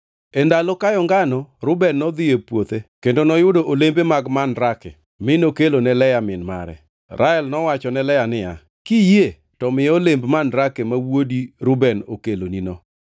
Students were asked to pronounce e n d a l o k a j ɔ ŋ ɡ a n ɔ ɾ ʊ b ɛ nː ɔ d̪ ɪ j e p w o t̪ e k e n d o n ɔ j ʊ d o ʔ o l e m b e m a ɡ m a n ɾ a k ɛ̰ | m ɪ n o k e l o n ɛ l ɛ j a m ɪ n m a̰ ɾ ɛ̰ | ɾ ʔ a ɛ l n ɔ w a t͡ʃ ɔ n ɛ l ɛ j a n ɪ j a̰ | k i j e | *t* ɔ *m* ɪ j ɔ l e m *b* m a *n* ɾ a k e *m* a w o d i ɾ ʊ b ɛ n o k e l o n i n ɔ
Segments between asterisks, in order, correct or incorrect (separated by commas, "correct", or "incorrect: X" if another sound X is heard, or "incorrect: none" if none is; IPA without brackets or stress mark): correct, correct, correct, correct, correct